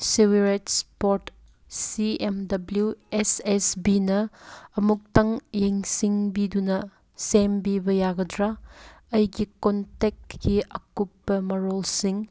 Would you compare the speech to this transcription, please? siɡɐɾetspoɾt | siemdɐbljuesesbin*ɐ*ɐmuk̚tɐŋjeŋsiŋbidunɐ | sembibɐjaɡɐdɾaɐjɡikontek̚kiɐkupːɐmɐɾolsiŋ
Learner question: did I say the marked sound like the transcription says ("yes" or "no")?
yes